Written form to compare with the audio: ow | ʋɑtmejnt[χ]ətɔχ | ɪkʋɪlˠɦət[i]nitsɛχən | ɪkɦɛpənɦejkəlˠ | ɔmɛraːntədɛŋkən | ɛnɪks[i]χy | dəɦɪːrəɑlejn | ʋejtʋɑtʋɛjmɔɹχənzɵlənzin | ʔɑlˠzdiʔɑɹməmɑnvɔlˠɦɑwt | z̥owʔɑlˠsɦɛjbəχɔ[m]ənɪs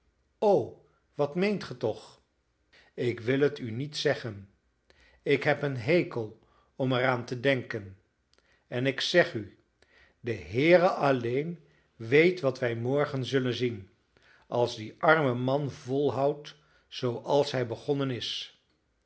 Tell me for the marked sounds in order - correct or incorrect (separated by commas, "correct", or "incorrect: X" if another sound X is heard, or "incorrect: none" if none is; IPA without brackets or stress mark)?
correct, incorrect: y, incorrect: ɛ, incorrect: n